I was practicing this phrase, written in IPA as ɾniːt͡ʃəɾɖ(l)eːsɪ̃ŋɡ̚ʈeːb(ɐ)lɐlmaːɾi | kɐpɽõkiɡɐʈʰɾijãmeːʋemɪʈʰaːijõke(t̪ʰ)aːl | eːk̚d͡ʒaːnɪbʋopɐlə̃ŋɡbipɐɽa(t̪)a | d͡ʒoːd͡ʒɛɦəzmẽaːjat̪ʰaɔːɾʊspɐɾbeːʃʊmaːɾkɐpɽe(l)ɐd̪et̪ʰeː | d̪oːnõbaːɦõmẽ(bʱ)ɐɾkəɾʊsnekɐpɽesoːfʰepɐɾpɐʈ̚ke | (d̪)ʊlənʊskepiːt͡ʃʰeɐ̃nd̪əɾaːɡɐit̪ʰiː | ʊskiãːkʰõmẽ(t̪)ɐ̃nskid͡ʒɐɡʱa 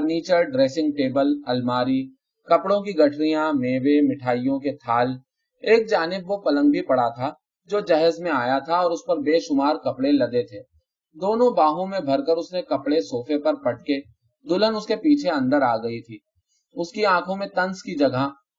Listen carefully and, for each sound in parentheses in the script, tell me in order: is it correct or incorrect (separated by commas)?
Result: incorrect, incorrect, correct, incorrect, correct, correct, correct, correct